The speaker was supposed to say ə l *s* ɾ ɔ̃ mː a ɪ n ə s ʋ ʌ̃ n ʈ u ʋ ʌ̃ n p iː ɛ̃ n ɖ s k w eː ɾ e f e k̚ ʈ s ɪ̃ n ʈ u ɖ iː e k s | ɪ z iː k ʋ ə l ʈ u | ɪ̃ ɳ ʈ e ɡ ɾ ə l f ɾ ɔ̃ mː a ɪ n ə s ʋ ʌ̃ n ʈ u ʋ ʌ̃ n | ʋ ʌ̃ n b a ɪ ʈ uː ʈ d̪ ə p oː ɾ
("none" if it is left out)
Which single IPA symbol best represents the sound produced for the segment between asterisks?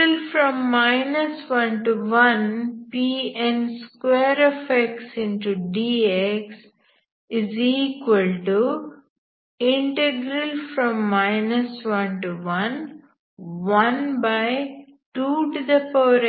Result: f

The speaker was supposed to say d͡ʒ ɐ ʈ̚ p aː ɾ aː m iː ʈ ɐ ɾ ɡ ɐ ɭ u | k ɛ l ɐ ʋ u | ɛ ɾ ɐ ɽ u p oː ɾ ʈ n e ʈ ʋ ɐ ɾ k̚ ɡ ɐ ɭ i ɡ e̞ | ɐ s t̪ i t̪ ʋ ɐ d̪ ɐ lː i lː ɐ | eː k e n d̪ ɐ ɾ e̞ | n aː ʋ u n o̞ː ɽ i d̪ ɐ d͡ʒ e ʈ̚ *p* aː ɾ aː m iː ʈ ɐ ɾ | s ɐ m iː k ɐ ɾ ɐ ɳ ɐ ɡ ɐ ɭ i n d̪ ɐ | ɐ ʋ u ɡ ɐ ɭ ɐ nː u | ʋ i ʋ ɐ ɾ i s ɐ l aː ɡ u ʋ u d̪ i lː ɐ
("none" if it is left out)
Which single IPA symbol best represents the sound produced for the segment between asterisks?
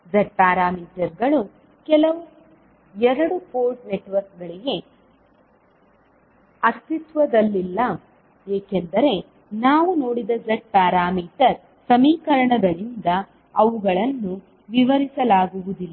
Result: p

